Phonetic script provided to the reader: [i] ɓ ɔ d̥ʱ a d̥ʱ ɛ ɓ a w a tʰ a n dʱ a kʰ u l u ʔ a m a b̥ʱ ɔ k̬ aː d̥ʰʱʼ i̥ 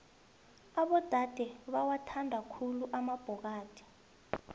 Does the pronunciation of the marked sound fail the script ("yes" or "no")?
yes